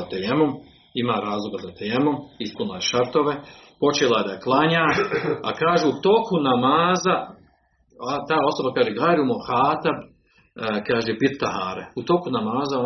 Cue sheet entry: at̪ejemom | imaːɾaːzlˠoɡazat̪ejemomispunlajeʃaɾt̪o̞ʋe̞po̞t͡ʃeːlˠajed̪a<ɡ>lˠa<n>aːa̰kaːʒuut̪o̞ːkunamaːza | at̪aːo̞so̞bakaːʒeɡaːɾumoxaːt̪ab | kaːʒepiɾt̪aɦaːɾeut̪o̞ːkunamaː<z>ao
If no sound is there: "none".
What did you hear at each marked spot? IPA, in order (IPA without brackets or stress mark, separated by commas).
k, ɲ, z